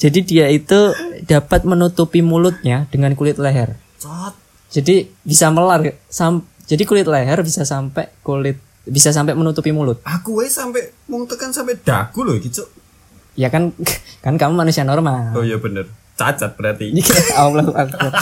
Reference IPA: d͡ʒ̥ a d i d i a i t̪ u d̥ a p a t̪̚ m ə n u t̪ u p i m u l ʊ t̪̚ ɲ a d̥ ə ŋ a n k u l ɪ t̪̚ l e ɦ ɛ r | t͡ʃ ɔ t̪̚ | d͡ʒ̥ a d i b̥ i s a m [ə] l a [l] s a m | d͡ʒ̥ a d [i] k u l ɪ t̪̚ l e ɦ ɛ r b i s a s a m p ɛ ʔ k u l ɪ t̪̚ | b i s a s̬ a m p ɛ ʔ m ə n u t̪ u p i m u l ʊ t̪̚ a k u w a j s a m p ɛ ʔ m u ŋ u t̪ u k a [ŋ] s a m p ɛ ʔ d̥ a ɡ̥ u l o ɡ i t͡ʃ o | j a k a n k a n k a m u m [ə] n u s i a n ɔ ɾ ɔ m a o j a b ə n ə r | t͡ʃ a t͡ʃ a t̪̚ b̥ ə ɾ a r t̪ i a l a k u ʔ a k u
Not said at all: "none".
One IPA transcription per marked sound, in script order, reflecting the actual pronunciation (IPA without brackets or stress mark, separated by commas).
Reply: ə, r, i, n, a